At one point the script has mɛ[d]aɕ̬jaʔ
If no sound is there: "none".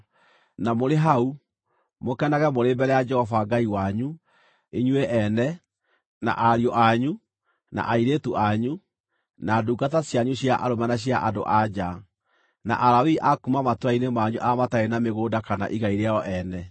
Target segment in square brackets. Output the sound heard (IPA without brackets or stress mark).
n